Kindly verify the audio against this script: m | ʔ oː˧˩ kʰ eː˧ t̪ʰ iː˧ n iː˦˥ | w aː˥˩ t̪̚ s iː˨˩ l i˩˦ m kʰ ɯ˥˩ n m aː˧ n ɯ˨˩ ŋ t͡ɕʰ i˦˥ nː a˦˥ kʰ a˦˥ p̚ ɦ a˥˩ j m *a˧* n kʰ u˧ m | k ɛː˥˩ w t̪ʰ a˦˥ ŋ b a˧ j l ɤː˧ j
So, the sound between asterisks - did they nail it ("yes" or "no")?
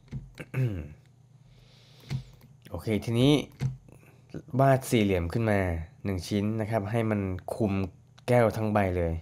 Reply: yes